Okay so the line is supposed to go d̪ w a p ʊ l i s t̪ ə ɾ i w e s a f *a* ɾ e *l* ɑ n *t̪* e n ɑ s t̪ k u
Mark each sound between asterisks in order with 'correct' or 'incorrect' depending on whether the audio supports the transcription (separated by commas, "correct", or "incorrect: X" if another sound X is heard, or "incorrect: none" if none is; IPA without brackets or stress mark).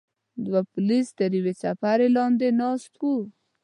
correct, correct, incorrect: d̪